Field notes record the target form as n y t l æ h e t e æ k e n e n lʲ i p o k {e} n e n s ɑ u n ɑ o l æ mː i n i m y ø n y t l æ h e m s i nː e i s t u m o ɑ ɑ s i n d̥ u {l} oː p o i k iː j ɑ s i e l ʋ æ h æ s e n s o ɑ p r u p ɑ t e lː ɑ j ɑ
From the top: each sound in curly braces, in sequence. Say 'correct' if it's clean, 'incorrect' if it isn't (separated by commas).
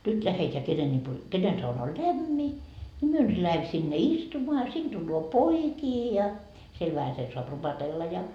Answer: correct, incorrect